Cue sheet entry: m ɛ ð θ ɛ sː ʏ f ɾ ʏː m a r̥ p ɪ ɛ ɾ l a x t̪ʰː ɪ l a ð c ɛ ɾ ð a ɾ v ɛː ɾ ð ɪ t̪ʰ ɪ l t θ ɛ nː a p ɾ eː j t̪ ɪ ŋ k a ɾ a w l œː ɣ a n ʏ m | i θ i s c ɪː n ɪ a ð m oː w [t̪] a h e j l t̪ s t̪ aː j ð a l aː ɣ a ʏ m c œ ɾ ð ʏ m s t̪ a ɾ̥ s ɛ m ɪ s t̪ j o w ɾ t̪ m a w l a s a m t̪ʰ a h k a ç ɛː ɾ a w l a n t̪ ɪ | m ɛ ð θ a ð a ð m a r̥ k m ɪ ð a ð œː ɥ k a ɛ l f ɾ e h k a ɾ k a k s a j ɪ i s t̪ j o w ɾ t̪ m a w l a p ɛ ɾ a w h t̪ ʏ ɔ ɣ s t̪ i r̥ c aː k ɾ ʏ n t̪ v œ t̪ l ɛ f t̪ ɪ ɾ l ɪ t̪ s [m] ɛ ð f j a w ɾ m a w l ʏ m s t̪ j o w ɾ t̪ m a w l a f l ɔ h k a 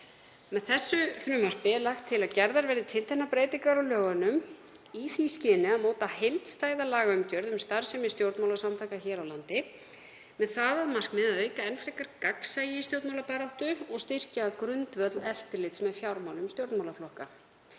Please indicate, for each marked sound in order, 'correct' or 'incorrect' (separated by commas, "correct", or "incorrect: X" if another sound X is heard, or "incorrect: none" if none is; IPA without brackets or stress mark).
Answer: correct, correct